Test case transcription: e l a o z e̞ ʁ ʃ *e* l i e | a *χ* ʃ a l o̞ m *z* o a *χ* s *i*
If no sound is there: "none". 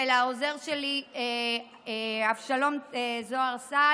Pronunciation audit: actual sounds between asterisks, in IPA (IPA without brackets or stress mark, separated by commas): e, f, z, ʁ, a